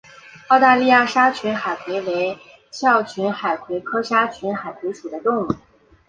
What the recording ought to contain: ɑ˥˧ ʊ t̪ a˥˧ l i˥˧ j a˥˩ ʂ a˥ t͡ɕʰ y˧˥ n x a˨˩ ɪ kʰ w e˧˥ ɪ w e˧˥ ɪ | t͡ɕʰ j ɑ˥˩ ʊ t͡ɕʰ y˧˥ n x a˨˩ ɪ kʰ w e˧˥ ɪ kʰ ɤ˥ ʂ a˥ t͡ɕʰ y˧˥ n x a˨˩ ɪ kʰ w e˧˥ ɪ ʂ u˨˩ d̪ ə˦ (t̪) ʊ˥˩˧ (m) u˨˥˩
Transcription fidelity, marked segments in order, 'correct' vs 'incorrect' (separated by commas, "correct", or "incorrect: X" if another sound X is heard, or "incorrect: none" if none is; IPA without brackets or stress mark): correct, incorrect: ŋ